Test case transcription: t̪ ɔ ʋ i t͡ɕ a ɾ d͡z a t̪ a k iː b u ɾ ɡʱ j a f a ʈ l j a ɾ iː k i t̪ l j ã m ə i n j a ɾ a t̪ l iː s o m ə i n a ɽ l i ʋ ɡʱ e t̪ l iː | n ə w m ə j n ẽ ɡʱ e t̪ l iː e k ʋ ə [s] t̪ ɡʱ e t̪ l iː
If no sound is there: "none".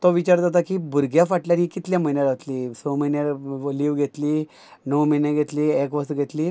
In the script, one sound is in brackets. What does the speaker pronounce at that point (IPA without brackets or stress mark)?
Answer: s